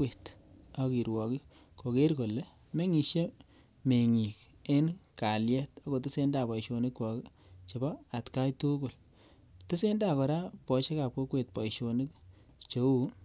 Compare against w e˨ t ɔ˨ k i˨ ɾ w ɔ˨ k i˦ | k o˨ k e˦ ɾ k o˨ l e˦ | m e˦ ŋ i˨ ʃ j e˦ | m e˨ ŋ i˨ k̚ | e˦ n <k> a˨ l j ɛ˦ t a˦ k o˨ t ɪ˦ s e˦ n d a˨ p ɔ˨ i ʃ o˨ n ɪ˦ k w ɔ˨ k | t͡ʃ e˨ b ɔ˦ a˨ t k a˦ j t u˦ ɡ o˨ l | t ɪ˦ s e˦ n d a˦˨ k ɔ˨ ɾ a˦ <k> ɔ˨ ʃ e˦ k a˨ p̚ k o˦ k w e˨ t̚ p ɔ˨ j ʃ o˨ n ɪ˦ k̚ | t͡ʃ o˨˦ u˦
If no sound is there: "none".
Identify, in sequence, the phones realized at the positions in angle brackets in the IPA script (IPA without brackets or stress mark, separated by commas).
k, p